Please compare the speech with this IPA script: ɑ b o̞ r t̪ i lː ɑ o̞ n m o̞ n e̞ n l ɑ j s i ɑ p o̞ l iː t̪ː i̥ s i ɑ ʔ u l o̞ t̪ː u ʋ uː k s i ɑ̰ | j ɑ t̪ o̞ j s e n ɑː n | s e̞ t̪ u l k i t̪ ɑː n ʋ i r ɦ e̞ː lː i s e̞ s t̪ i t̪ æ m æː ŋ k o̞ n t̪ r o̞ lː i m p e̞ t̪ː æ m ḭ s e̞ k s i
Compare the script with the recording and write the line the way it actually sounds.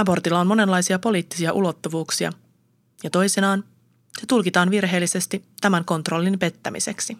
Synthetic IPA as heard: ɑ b o̞ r t̪ i lː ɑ o̞ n m o̞ n e̞ n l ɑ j s i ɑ p o̞ l iː t̪ː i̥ s i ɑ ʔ u l o̞ t̪ː u ʋ uː k s i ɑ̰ | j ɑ t̪ o̞ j s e n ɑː n | s e̞ t̪ u l k i t̪ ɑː n ʋ i r ɦ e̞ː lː i s e̞ s t̪ i t̪ æ m æ ŋ k o̞ n t̪ r o̞ lː i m p e̞ t̪ː æ m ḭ s e̞ k s i